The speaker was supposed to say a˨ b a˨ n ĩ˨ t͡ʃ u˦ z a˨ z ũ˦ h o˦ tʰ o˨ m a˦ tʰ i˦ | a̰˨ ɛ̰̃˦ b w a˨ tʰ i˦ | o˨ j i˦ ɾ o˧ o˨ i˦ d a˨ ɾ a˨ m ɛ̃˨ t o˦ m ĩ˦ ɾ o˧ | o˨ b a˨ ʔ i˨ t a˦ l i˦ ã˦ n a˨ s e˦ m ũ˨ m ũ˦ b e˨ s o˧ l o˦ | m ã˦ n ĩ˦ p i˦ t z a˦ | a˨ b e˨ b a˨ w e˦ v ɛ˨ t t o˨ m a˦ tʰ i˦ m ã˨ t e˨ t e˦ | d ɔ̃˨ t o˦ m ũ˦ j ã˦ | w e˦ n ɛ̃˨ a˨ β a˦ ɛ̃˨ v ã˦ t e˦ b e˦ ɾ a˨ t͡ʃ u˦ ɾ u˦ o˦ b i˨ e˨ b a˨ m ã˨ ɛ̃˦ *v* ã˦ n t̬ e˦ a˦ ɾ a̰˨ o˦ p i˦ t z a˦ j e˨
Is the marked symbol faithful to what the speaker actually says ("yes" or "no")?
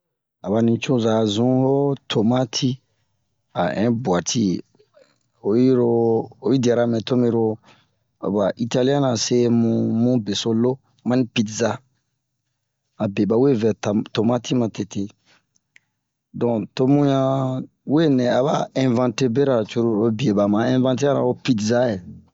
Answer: yes